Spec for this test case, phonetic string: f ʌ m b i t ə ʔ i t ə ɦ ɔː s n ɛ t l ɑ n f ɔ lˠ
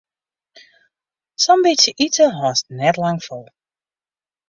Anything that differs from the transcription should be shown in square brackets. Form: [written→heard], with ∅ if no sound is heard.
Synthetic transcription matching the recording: [f→s] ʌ m b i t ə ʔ i t ə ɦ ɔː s n ɛ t l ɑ [n→ŋ] f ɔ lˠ